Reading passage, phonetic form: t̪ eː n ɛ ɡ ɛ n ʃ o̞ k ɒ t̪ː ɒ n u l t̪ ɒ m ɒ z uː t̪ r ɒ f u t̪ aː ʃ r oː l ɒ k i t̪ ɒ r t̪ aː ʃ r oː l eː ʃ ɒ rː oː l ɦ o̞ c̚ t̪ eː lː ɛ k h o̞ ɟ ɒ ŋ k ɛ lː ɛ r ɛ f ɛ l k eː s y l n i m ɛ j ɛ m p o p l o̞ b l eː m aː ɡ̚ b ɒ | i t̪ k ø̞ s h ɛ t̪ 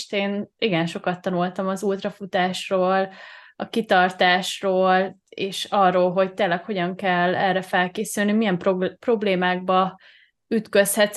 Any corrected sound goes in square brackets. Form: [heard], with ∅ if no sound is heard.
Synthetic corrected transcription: t̪ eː n [i] ɡ ɛ n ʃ o̞ k ɒ t̪ː ɒ n u l t̪ ɒ m ɒ z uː t̪ r ɒ f u t̪ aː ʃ r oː l ɒ k i t̪ ɒ r t̪ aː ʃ r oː l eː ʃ ɒ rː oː l ɦ o̞ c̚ t̪ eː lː ɛ k h o̞ ɟ ɒ ŋ k ɛ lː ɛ r ɛ f ɛ l k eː s y l n i m [i] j ɛ m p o p [r] o̞ b l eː m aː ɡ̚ b ɒ | [y] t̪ k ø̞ s h ɛ t̪